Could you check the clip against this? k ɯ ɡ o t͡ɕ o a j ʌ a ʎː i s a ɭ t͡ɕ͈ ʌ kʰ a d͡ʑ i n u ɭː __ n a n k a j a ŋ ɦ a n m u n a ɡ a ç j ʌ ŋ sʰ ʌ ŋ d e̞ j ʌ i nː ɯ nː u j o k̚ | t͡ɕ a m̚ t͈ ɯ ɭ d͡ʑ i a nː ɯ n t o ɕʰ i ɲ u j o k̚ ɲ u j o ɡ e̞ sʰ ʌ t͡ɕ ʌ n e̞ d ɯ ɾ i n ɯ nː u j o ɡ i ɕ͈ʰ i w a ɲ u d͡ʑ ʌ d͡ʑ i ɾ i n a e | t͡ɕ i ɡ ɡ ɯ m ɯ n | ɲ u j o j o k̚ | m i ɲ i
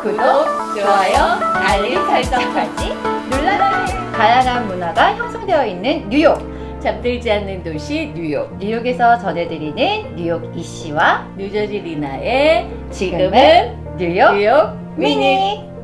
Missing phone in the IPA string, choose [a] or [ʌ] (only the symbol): a